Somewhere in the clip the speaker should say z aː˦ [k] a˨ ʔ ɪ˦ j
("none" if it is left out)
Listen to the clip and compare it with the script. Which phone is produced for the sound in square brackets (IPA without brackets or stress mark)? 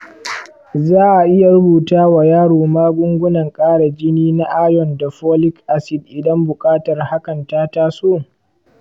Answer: ʔ